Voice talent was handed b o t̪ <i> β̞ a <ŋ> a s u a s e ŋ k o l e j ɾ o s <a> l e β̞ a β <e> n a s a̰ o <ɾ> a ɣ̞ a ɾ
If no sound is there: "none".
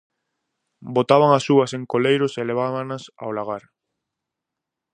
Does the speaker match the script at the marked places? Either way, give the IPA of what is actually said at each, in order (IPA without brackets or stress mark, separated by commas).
a, ŋ, e, a, l